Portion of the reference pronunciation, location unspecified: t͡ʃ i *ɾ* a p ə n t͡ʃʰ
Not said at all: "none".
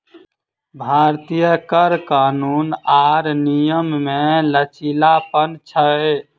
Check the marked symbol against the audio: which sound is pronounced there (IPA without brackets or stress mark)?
l